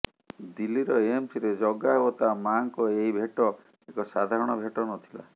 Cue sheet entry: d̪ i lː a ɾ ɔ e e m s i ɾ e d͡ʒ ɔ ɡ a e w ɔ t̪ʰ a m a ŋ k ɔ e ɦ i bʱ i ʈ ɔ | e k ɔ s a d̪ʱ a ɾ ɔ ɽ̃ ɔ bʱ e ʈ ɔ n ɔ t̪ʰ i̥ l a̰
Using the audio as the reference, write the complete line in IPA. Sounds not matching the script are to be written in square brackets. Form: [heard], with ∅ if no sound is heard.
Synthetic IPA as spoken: d̪ i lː [i] ɾ ɔ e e m s i ɾ e d͡ʒ ɔ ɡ a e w ɔ [t̪] a m a ŋ k ɔ e ɦ i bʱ [e] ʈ ɔ | e k ɔ s a d̪ʱ a ɾ ɔ ɽ̃ ɔ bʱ e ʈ ɔ n ɔ t̪ʰ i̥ l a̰

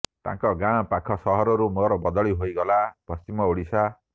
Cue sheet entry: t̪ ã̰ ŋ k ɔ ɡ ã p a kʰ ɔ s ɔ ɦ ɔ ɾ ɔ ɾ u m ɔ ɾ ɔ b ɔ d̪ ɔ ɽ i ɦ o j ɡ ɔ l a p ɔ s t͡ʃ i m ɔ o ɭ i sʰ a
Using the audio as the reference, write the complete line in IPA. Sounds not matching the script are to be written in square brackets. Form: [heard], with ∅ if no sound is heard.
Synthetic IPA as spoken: t̪ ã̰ ŋ k ɔ ɡ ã p a kʰ ɔ s ɔ ɦ ɔ ɾ ɔ ɾ u m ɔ ɾ ɔ b ɔ d̪ ɔ [ɭ] i ɦ o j ɡ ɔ l a p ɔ s t͡ʃ i m ɔ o [ɽ] i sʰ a

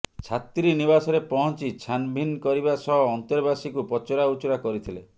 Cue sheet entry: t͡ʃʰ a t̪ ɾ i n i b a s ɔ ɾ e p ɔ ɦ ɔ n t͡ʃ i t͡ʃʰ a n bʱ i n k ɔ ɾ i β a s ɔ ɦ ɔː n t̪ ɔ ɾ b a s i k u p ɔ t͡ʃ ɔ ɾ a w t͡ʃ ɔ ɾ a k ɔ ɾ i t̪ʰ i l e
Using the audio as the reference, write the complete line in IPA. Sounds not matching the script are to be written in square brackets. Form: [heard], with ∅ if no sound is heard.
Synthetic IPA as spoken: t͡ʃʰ a t̪ ɾ i n i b a s ɔ ɾ e p ɔ ɦ ɔ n t͡ʃ i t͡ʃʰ a n bʱ i n k ɔ ɾ i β a s ɔ ɦ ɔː n t̪ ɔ ɾ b a s i k u p ɔ t͡ʃ ɔ ɾ a [u] t͡ʃ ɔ ɾ a k ɔ ɾ i t̪ʰ i l e

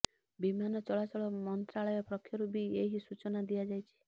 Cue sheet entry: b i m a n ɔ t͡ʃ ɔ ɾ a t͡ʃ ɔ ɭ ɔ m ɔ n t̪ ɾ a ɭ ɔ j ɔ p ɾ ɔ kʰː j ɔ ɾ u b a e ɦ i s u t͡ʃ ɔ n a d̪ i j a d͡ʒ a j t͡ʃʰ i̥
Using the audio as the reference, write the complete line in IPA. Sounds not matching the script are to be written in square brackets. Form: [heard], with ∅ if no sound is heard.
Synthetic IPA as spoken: b i m a n ɔ t͡ʃ ɔ [ɭ] a t͡ʃ ɔ ɭ ɔ m ɔ n t̪ ɾ a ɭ ɔ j ɔ p ɾ ɔ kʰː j ɔ ɾ u b [i] e ɦ i s u t͡ʃ ɔ n a d̪ i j a d͡ʒ a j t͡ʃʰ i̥

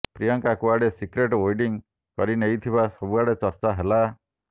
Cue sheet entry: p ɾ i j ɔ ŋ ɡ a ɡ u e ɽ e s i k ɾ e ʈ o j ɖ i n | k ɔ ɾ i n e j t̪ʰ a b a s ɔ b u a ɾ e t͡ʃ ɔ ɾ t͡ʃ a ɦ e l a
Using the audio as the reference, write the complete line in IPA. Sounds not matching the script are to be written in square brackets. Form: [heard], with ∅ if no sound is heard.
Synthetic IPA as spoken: p ɾ i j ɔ ŋ [k] a [k] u [a] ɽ e s i k ɾ e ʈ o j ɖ i [ŋ] | k ɔ ɾ i n e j t̪ʰ [i] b a s ɔ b u a [ɽ] e t͡ʃ ɔ ɾ t͡ʃ a ɦ e l a

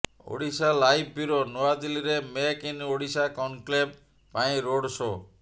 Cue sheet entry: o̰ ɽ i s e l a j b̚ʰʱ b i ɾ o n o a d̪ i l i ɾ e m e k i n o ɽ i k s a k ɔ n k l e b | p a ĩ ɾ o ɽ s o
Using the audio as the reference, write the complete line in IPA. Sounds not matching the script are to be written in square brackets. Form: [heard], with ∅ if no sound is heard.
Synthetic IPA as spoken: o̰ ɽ i s [a] l a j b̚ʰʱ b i ɾ o n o a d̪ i l i ɾ e m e k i n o ɽ i [∅] s a k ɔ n k l e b | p a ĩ ɾ o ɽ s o

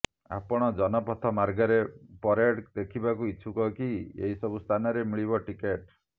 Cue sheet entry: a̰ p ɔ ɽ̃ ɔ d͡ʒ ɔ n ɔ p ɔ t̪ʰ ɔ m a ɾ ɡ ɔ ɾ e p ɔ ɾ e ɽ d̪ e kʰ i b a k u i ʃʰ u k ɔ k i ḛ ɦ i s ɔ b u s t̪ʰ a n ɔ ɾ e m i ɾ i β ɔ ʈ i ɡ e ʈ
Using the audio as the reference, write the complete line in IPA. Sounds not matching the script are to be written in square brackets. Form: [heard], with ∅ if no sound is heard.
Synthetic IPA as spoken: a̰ p ɔ ɽ̃ ɔ d͡ʒ ɔ n ɔ p ɔ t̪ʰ ɔ m a ɾ ɡ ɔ ɾ e p ɔ ɾ e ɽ d̪ e kʰ i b a k u i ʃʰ u k ɔ k i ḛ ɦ i s ɔ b u s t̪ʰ a n ɔ ɾ e m i [ɭ] i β ɔ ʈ i [k] e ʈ

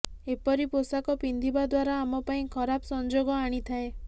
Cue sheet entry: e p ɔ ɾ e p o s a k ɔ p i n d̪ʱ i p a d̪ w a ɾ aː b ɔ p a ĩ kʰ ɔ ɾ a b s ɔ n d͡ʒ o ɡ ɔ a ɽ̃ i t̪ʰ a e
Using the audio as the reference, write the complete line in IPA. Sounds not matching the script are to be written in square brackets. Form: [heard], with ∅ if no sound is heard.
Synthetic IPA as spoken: e p ɔ ɾ [i] p o s a k ɔ p i n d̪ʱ i [b] a d̪ w a ɾ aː [m] ɔ p a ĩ kʰ ɔ ɾ a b s ɔ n d͡ʒ o ɡ ɔ a ɽ̃ i t̪ʰ a e

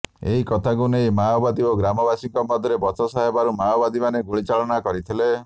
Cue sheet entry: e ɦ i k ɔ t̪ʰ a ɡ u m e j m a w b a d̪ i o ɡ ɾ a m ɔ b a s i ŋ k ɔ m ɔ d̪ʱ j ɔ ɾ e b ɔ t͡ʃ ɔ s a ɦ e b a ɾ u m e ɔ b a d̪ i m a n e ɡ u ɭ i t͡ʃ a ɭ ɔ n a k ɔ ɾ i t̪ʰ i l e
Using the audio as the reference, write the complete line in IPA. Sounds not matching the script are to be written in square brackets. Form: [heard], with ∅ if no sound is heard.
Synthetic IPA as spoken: e ɦ i k ɔ t̪ʰ a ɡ u [n] e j m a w b a d̪ i o ɡ ɾ a m ɔ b a s i ŋ k ɔ m ɔ d̪ʱ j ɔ ɾ e b ɔ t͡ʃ ɔ s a ɦ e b a ɾ u m [a] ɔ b a d̪ i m a n e ɡ u ɭ i t͡ʃ a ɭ ɔ n a k ɔ ɾ i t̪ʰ i l e

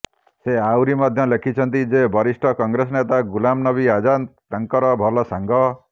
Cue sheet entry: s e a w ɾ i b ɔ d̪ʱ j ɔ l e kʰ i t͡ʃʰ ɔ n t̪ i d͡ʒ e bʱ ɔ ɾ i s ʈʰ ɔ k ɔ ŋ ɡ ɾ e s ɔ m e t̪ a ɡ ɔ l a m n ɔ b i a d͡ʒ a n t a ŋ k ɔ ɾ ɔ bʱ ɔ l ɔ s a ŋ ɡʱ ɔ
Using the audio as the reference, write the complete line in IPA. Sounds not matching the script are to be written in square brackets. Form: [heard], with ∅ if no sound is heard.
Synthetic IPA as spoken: s e a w ɾ i [m] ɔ d̪ʱ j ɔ l e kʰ i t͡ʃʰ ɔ n t̪ i d͡ʒ e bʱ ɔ ɾ i s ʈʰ ɔ k ɔ ŋ ɡ ɾ e s ɔ [n] e t̪ a ɡ [u] l a m n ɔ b i a d͡ʒ a n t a ŋ k ɔ ɾ ɔ bʱ ɔ l ɔ s a ŋ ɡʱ ɔ

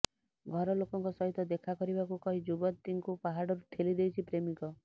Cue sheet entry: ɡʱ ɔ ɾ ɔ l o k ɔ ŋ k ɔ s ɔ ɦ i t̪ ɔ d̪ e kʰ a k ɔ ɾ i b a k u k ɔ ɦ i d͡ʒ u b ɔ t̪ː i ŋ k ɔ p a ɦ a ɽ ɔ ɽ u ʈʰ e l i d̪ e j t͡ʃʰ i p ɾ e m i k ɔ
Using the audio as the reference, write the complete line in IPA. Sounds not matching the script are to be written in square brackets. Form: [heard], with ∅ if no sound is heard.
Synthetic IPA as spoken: ɡʱ ɔ ɾ ɔ l o k ɔ ŋ k ɔ s ɔ ɦ i t̪ ɔ d̪ e kʰ a k ɔ ɾ i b a k u k ɔ ɦ i d͡ʒ u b ɔ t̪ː i ŋ k [u] p a ɦ a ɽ ɔ [ɾ] u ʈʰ e l i d̪ e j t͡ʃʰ i p ɾ e m i k ɔ

